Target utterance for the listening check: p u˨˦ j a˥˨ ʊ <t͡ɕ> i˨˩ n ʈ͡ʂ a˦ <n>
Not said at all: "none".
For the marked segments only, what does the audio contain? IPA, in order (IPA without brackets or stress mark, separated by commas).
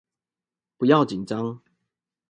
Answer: t͡ɕ, ŋ